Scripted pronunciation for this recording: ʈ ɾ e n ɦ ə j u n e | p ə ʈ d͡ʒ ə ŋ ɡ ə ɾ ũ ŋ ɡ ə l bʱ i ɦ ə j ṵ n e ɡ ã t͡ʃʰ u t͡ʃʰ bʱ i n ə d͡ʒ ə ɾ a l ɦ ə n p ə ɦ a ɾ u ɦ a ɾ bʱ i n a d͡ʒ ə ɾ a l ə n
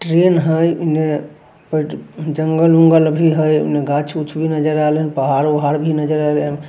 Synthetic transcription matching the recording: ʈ ɾ e n ɦ ə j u n e | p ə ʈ d͡ʒ ə ŋ ɡ ə l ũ ŋ ɡ ə l bʱ i ɦ ə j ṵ n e ɡ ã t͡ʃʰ u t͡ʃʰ bʱ i n ə d͡ʒ ə ɾ a l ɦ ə n p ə ɦ a ɾ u ɦ a ɾ bʱ i n ə d͡ʒ ə ɾ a l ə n